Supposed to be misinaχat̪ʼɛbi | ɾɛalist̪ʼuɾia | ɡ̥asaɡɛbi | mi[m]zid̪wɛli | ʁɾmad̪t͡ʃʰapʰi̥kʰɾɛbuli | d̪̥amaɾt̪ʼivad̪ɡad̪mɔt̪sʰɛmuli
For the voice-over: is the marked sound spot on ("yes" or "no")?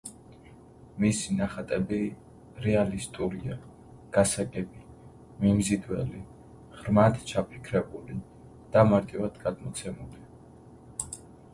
yes